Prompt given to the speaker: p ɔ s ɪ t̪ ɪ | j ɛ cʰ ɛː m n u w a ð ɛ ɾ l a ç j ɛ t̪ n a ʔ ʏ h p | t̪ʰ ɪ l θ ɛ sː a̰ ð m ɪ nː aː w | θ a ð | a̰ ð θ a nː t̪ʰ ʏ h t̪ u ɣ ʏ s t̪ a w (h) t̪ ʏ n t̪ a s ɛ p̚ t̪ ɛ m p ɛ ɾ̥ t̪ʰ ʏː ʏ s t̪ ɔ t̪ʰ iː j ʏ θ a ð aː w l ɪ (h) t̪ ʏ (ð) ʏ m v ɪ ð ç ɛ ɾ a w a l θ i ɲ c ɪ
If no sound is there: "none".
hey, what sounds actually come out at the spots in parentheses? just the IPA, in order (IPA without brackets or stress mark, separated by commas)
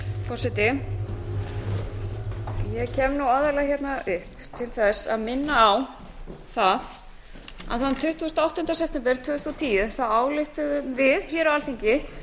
h, h, ð